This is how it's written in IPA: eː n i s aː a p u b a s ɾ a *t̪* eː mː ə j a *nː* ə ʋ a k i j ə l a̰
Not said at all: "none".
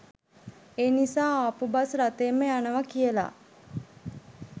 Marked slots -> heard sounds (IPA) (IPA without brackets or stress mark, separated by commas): t̪, n